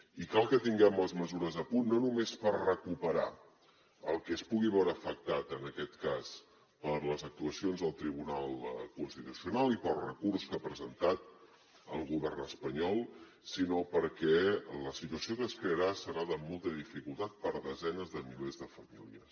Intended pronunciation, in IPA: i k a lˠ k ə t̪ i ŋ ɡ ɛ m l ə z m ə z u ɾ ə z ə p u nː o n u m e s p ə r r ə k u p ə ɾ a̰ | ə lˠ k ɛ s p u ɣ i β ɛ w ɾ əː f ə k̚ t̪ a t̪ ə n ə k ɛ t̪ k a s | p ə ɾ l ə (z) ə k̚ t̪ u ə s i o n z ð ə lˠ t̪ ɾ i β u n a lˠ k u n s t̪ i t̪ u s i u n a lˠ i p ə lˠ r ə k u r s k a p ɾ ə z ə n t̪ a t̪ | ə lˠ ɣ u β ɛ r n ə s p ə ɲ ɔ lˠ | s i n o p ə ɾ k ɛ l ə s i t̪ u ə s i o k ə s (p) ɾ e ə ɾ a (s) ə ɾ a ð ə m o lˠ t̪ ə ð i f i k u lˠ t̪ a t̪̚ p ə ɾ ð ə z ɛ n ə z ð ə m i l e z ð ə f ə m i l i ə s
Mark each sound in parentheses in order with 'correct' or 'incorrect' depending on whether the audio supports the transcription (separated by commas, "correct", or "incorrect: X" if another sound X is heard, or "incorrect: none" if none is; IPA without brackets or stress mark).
correct, incorrect: k, correct